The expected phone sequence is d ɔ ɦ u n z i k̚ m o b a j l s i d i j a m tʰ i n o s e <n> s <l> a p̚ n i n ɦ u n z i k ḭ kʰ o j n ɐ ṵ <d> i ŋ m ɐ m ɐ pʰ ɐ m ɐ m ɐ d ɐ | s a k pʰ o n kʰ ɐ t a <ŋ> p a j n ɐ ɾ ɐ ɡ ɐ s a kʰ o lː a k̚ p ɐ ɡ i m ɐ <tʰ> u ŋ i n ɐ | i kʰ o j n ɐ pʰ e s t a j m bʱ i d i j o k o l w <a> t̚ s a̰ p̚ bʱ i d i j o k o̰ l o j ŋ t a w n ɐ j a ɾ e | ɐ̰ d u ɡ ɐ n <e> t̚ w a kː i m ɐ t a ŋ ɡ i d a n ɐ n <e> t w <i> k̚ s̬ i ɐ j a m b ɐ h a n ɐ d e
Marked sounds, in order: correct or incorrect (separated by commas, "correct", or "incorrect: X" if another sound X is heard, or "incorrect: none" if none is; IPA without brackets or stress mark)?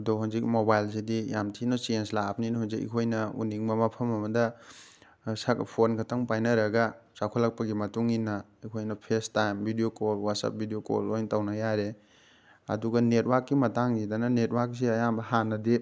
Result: correct, correct, incorrect: n, correct, incorrect: t, correct, correct, correct, incorrect: a